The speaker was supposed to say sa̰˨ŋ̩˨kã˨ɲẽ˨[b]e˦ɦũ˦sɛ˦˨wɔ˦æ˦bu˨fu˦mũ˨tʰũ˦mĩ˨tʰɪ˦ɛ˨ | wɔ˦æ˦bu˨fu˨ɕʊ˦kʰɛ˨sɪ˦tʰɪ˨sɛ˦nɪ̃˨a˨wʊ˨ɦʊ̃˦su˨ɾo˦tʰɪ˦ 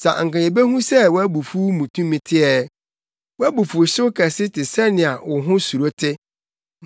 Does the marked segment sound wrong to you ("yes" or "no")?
no